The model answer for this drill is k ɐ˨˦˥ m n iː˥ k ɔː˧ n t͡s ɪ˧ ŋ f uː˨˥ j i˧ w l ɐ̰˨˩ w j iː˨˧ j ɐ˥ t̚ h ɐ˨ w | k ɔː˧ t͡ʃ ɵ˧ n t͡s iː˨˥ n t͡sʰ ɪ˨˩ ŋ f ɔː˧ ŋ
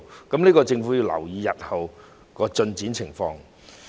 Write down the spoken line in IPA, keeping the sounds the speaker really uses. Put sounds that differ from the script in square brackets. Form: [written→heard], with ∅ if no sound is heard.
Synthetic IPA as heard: k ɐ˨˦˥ m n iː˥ k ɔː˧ [n→∅] t͡s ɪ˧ ŋ f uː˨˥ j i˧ w l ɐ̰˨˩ w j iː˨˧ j [ɐ˥→ɐ˨] t̚ h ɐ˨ w | k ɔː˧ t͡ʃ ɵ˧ n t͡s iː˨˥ n t͡sʰ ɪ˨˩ ŋ f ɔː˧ ŋ